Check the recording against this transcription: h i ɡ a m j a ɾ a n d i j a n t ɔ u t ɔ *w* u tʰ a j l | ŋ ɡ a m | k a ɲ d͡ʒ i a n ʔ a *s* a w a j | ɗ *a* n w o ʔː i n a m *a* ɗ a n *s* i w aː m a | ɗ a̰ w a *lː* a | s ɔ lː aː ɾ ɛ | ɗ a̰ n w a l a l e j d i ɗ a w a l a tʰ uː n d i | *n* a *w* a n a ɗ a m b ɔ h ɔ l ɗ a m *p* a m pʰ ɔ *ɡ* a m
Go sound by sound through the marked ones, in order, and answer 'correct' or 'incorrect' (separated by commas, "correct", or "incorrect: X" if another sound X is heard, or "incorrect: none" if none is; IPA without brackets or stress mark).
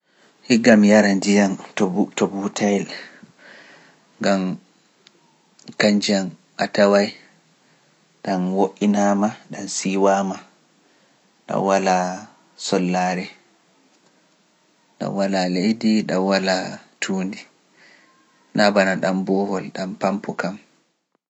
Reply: incorrect: b, incorrect: t, correct, correct, correct, incorrect: l, correct, incorrect: b, correct, incorrect: k